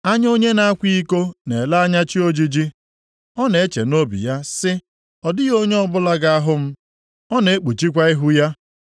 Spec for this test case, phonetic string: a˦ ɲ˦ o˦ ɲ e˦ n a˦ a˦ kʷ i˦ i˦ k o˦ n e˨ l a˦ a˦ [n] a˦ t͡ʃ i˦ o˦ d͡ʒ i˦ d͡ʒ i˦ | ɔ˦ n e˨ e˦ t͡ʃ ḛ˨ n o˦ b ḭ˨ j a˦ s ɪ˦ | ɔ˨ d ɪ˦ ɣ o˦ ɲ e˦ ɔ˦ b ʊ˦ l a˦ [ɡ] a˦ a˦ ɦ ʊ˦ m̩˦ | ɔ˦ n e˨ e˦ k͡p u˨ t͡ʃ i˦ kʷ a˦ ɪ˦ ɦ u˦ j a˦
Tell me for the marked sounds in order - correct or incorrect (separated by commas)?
incorrect, correct